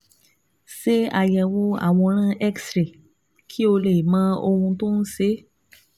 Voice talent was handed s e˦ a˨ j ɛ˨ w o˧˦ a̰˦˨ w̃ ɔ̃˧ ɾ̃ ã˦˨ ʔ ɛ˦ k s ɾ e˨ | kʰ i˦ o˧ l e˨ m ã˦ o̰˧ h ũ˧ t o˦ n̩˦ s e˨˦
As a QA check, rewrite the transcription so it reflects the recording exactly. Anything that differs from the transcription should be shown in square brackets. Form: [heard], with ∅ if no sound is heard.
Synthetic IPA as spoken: s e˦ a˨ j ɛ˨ w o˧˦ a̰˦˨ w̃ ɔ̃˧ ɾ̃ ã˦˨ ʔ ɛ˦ k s ɾ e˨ | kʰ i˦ o˧ l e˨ m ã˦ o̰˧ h ũ˧ t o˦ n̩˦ s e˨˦